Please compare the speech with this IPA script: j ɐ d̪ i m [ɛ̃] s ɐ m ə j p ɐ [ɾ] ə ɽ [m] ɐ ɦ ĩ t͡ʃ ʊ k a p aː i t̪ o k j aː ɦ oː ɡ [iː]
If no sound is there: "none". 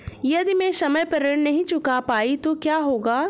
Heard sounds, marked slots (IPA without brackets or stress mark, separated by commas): ẽ, ɾ, n, aː